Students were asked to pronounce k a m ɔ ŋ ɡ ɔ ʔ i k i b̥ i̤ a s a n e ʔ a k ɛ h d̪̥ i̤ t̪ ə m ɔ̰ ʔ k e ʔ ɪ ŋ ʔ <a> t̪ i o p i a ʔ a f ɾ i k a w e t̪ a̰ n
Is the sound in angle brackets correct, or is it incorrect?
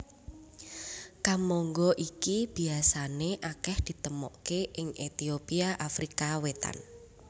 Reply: incorrect: e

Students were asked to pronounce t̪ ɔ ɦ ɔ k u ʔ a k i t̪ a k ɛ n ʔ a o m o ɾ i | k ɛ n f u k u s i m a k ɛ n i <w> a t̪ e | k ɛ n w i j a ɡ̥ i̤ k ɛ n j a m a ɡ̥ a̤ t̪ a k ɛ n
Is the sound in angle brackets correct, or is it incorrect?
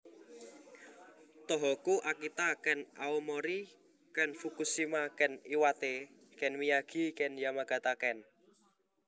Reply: correct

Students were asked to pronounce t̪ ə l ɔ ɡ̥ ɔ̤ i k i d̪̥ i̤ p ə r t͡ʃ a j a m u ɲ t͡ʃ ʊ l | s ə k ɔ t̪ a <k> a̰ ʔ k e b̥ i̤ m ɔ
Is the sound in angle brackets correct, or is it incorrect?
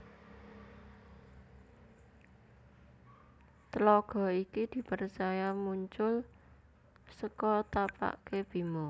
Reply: incorrect: p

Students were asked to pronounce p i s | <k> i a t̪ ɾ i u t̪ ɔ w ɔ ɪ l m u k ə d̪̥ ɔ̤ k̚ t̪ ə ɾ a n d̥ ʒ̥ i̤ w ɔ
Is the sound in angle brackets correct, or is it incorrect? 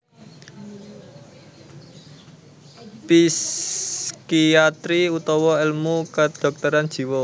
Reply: correct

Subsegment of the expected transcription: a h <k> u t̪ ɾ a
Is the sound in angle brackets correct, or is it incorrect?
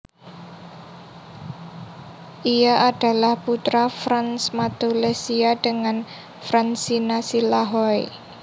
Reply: incorrect: p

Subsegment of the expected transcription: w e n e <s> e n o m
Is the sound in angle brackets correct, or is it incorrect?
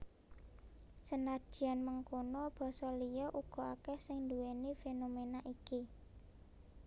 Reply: incorrect: f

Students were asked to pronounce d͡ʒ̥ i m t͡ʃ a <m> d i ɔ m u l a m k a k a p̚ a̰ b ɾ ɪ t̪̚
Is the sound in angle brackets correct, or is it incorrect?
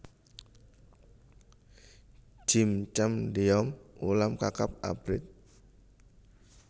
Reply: correct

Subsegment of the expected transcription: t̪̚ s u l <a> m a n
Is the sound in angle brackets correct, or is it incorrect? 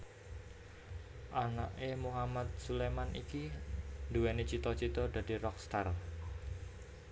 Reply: incorrect: e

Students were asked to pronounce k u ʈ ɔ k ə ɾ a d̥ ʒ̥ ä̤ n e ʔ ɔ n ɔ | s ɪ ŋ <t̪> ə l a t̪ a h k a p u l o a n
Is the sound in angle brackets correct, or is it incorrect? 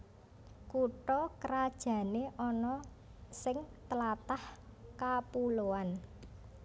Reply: correct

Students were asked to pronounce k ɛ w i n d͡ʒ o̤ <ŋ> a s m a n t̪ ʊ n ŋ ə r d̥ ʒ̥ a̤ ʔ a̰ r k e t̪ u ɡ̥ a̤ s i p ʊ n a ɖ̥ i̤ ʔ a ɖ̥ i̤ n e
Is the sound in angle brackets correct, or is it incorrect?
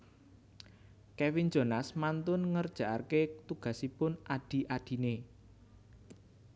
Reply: incorrect: n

